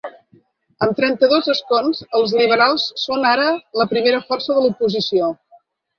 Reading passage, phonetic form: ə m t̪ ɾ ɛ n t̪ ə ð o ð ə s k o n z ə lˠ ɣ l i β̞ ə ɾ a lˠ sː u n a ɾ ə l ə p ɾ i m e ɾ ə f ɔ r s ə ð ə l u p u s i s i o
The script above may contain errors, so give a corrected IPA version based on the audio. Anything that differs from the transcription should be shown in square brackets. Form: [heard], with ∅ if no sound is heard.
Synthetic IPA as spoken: ə m t̪ ɾ ɛ n t̪ ə ð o [z] ə s k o n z ə lˠ [z] l i β̞ ə ɾ a lˠ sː [o] n a ɾ ə l ə p ɾ i m e ɾ ə f ɔ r s ə ð ə l u p u [z] i s i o